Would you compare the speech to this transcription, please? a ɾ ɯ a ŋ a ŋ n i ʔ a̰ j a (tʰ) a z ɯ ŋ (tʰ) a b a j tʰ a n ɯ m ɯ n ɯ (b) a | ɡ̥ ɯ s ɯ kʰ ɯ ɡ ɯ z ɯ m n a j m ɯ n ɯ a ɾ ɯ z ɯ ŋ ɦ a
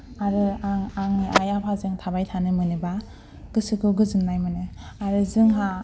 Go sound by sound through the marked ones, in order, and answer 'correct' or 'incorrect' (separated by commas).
incorrect, correct, correct